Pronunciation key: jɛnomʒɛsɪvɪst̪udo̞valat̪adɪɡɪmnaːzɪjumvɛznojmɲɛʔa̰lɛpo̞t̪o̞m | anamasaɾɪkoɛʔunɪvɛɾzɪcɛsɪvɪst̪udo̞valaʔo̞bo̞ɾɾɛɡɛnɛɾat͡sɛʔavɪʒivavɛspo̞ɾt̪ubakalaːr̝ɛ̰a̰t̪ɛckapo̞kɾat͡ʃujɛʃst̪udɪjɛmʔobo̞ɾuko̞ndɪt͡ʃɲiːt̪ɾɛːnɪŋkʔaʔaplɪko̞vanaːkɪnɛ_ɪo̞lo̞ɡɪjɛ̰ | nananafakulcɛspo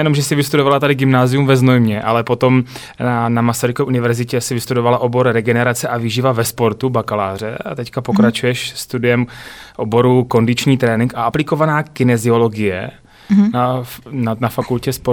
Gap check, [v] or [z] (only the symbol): z